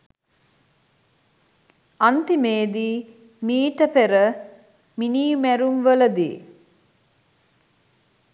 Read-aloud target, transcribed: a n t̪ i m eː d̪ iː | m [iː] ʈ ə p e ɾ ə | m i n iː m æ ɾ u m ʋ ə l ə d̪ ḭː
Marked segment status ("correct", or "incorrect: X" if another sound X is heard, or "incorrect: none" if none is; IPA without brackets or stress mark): correct